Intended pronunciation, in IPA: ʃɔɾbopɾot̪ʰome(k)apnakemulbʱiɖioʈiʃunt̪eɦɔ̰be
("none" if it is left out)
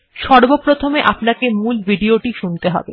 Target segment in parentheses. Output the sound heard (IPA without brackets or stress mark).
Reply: ʔ